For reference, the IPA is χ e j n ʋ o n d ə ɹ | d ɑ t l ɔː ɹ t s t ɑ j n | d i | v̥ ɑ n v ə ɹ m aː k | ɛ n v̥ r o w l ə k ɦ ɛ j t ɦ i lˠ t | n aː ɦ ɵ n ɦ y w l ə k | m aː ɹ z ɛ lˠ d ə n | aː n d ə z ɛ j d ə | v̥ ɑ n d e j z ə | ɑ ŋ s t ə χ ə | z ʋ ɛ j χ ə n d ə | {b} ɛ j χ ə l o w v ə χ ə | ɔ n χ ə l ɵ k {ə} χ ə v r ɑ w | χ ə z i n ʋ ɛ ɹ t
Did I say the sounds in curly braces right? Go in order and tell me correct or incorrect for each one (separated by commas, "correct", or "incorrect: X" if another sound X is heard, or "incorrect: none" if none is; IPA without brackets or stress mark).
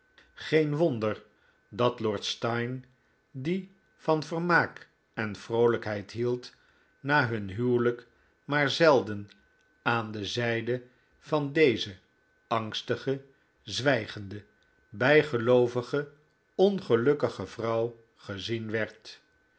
correct, correct